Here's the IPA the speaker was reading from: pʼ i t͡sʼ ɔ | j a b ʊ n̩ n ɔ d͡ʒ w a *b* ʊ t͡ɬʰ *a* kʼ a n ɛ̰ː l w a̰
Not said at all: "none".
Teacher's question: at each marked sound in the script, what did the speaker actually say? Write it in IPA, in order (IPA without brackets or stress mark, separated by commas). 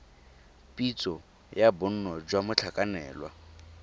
m, a